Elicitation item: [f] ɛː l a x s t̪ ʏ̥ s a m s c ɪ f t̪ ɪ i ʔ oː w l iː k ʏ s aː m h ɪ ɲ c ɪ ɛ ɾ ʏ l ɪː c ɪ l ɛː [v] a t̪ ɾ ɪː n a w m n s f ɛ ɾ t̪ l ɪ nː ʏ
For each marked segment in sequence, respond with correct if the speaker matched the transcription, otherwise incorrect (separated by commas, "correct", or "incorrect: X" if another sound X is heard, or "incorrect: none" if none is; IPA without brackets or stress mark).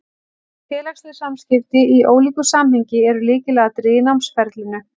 correct, incorrect: ɣ